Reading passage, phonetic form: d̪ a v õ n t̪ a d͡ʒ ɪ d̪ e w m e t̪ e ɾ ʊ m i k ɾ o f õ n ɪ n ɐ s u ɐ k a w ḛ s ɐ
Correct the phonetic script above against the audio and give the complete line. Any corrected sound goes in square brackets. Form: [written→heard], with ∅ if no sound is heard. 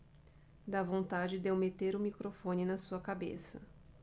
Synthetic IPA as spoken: d̪ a v õ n t̪ a d͡ʒ ɪ d̪ e w m e t̪ e ɾ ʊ m i k ɾ o f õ n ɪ n ɐ s u ɐ k a [w→b] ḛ s ɐ